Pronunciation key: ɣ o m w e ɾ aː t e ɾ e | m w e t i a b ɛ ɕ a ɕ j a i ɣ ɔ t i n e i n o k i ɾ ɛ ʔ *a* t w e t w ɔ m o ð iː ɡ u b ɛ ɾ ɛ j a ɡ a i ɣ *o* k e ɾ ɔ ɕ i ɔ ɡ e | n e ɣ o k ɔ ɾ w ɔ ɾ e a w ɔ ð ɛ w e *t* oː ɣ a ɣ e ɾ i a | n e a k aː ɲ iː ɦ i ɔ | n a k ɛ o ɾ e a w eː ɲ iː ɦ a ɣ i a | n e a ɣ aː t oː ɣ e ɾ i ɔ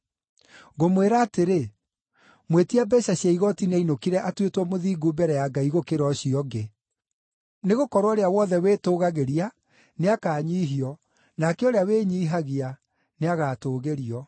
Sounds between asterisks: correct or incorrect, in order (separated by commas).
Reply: correct, correct, correct